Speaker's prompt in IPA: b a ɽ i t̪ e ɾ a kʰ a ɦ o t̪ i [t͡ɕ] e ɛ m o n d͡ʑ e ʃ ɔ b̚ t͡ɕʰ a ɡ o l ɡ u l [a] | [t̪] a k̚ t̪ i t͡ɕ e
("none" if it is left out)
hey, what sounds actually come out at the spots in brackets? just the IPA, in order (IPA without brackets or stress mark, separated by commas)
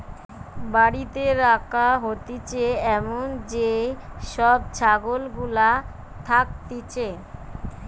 t͡ɕ, a, t̪ʰ